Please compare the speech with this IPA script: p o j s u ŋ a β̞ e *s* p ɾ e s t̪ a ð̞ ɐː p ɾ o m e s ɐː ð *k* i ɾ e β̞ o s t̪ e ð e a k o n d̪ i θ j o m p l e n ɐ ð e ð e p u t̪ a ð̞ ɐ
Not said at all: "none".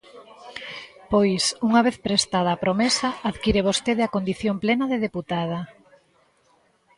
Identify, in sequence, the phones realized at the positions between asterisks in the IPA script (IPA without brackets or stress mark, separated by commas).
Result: θ, k